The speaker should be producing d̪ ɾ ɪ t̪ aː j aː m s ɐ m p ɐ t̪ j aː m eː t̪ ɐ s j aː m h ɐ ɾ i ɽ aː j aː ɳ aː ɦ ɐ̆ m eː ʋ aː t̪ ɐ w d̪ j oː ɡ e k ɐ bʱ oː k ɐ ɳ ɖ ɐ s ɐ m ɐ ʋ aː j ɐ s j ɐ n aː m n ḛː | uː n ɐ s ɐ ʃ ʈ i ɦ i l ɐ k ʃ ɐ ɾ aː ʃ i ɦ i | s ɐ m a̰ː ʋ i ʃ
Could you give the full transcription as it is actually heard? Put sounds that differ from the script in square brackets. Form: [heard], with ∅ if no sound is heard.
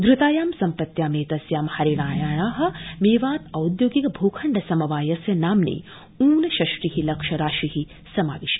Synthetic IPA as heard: d̪ ɾ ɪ t̪ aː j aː m s ɐ m p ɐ t̪ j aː m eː t̪ ɐ s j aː m h ɐ ɾ i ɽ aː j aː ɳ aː ɦ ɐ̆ m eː ʋ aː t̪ ɐ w d̪ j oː ɡ [i] k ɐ bʱ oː [kʰ] ɐ ɳ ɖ ɐ s ɐ m ɐ ʋ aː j ɐ s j ɐ n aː m n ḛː | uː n ɐ [ʃ] ɐ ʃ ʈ i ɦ i l ɐ k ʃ ɐ ɾ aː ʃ i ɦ i | s ɐ m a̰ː ʋ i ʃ